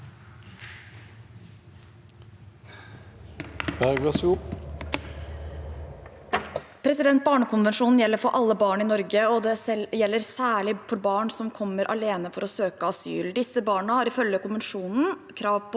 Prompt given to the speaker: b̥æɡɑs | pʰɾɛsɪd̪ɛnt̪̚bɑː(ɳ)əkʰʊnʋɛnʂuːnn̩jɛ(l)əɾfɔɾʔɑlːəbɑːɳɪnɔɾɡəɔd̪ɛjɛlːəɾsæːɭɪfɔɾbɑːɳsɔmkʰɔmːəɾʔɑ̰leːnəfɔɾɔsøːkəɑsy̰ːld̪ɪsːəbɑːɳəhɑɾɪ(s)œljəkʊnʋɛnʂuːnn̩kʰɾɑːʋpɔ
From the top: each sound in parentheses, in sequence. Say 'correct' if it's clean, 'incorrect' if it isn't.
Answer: correct, incorrect: lː, incorrect: f

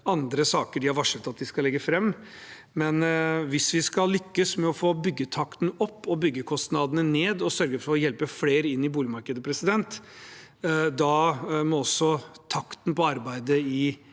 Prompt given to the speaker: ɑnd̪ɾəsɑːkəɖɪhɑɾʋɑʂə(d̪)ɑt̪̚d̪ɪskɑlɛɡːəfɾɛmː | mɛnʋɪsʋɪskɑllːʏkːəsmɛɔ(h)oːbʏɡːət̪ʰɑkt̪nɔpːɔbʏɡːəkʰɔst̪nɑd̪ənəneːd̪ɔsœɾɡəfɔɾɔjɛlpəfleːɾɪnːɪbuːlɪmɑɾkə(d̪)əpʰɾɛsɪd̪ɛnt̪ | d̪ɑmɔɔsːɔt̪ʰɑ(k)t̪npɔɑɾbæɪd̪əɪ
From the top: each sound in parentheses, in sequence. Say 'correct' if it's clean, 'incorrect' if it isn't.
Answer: incorrect: t̪, incorrect: f, correct, correct

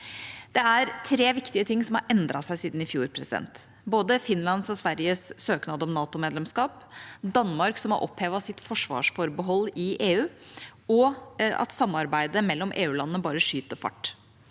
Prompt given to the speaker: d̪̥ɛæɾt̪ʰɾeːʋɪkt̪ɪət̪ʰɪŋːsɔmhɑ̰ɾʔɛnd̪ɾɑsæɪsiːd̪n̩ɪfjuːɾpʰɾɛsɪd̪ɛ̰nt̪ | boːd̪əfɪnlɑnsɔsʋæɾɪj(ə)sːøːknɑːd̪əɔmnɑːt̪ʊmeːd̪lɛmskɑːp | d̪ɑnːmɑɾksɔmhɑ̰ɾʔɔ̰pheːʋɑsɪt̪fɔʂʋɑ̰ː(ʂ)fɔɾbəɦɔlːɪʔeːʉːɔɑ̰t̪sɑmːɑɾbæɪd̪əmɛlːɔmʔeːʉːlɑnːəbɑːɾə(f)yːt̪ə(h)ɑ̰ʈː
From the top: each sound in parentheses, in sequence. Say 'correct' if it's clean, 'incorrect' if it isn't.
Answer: correct, correct, incorrect: ʂ, incorrect: f

